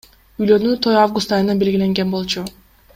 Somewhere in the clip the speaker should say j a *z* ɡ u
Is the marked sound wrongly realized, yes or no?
yes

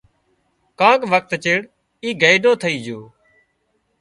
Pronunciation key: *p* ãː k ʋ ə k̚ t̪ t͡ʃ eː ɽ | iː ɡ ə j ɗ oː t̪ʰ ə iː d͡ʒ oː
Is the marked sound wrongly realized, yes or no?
yes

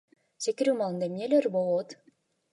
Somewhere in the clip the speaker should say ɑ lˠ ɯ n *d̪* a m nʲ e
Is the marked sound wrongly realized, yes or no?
no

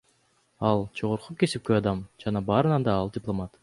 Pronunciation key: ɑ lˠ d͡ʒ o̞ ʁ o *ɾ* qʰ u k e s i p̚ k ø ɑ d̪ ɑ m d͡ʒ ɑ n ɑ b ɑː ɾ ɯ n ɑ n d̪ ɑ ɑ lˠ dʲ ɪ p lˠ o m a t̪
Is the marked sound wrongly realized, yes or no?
no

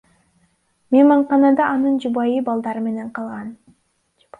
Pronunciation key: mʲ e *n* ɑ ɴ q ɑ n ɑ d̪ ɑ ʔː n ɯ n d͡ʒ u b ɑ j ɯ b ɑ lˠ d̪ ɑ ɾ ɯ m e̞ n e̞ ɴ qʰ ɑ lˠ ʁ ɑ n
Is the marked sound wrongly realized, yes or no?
yes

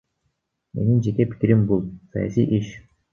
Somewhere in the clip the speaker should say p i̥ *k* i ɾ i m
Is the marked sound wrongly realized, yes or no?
no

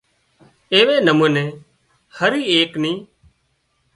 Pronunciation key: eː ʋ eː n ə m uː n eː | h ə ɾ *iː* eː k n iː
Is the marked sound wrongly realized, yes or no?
no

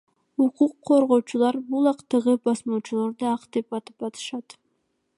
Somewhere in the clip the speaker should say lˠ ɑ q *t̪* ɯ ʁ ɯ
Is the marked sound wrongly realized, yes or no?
no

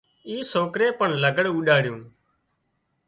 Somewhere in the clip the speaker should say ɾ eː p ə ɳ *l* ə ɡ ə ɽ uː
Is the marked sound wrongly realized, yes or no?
no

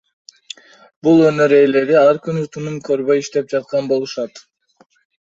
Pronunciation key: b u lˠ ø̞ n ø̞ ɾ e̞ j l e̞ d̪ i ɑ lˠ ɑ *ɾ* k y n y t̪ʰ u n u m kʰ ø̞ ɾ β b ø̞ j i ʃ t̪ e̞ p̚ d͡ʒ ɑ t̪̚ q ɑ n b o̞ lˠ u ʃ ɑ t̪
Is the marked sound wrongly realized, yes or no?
no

